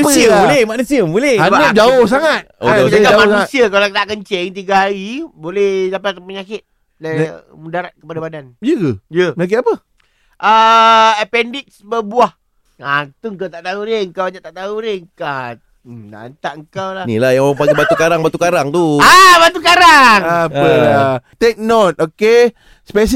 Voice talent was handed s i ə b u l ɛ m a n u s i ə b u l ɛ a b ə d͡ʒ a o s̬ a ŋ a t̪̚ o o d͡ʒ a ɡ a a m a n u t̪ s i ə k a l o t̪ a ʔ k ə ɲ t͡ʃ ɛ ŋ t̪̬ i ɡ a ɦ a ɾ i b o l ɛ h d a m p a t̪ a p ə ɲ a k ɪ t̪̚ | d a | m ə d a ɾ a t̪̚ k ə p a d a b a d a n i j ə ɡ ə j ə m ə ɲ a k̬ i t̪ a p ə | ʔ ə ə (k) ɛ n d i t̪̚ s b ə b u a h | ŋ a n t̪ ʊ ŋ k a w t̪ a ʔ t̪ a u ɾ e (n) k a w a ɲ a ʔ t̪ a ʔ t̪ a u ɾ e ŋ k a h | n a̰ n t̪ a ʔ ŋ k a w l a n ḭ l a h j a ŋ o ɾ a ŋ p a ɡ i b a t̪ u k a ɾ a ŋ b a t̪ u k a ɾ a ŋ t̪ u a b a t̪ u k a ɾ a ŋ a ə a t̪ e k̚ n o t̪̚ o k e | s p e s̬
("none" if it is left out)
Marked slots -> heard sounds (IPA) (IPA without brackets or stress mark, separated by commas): p, ŋ